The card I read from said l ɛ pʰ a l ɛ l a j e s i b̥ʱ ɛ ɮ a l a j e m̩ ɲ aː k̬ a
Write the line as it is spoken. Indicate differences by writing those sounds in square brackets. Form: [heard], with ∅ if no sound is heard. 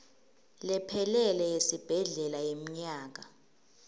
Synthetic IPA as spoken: l ɛ pʰ [ɛ] l ɛ l [ɛ] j e s i b̥ʱ ɛ ɮ [ɛ] l a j e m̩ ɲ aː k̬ a